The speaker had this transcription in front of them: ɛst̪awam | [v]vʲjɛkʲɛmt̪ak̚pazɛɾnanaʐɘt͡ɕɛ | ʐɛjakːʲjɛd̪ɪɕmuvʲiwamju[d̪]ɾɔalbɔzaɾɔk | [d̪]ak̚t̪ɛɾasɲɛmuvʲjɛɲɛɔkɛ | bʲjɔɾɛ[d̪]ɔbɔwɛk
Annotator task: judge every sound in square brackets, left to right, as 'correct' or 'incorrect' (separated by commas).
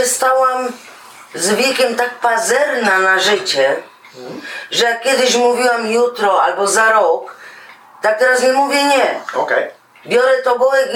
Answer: incorrect, incorrect, incorrect, incorrect